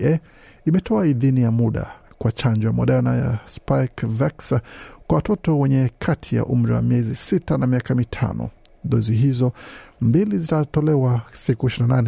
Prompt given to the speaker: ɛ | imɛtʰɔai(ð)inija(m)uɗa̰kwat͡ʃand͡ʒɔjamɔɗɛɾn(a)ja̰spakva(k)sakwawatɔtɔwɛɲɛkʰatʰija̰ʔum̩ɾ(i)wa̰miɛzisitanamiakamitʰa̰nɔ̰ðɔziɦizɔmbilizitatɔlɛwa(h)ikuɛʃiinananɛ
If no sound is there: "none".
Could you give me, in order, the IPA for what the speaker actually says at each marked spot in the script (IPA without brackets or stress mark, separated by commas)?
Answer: ð, m, a, k, i, s